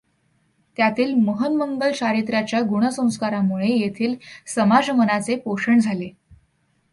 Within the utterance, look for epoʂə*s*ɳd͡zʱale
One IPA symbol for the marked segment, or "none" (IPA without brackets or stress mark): none